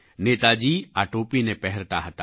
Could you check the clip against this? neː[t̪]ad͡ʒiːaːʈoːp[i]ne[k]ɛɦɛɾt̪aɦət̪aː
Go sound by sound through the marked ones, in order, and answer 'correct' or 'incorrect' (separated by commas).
correct, correct, incorrect